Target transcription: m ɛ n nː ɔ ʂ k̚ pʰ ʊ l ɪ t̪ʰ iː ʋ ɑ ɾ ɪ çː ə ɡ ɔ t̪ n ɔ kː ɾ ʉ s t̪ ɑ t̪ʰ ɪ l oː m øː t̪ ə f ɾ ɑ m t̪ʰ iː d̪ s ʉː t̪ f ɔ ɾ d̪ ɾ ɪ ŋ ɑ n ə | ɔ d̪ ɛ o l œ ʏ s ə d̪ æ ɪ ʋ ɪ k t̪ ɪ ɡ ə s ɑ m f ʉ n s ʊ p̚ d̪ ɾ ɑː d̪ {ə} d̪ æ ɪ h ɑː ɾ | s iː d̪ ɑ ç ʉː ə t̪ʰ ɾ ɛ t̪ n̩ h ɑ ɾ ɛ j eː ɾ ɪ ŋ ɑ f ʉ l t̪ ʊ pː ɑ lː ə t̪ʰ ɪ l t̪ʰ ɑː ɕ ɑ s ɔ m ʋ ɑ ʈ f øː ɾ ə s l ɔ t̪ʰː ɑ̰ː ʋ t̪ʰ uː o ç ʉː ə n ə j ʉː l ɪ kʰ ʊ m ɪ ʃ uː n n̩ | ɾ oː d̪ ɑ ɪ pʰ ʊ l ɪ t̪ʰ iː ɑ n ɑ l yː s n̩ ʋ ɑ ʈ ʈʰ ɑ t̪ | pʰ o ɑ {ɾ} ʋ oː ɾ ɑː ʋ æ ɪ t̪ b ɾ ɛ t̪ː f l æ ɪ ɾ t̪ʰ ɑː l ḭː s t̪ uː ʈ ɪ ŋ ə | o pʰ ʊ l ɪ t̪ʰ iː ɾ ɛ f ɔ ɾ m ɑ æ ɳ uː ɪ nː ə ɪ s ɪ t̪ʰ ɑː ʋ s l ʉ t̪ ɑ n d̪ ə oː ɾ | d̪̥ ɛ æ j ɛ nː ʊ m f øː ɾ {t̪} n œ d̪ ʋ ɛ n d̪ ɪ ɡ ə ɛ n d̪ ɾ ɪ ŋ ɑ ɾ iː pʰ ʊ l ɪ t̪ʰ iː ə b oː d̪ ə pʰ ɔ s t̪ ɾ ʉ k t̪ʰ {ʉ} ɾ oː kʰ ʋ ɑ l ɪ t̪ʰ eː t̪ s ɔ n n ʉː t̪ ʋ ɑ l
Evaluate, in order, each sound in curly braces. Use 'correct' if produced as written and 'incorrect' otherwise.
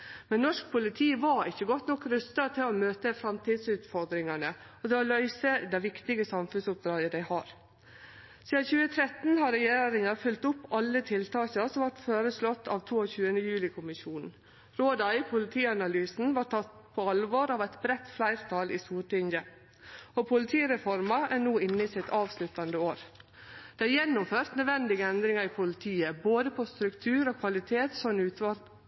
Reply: correct, incorrect, correct, incorrect

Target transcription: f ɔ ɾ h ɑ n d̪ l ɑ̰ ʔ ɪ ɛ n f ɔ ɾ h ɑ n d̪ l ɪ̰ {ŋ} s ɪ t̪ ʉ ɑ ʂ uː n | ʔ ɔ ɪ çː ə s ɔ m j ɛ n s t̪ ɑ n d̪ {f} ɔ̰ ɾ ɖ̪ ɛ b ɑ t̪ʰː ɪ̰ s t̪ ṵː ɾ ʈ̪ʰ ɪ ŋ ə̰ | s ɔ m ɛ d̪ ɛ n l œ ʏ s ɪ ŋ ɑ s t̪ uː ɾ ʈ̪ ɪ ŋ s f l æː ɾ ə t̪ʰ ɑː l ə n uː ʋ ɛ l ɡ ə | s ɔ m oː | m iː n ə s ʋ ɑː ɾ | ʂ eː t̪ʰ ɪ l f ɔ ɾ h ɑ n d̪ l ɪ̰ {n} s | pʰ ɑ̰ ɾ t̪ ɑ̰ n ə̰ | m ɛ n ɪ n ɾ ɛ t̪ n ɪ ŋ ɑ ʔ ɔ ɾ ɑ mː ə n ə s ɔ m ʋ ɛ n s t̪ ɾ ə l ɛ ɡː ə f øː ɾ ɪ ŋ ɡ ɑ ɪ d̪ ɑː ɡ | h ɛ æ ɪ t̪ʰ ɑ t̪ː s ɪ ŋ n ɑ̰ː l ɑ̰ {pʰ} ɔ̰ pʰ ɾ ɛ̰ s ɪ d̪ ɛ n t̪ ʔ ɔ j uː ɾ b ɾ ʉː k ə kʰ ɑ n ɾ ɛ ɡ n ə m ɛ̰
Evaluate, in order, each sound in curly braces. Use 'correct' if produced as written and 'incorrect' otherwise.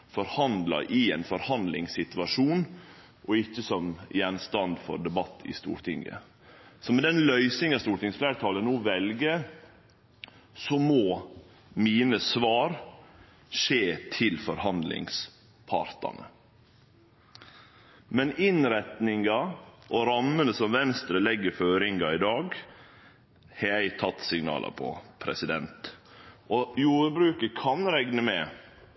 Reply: correct, correct, incorrect, correct

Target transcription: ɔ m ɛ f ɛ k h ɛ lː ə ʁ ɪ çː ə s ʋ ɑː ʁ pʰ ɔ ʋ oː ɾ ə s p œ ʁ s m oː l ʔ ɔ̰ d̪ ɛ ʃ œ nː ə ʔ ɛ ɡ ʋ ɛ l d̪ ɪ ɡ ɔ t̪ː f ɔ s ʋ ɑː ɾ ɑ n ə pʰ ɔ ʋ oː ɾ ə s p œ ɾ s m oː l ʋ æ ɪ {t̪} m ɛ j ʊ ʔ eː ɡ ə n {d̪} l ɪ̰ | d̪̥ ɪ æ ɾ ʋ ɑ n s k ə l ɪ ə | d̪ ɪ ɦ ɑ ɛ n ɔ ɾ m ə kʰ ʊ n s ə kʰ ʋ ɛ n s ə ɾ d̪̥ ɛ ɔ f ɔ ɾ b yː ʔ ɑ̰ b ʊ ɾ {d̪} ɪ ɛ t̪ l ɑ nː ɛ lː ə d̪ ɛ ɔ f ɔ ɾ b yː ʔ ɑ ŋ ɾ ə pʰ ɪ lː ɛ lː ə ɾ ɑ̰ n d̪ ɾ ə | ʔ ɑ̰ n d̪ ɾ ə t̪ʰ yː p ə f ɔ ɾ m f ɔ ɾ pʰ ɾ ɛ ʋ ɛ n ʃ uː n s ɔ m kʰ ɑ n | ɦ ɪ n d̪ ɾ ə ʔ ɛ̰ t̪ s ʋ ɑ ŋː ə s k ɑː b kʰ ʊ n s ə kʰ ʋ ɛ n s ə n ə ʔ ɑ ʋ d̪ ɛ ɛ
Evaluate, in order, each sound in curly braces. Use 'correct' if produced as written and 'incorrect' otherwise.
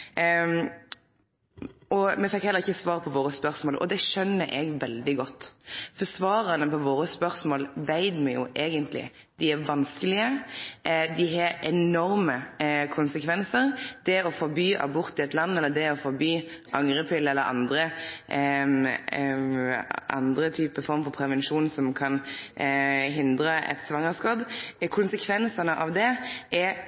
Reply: incorrect, incorrect, incorrect

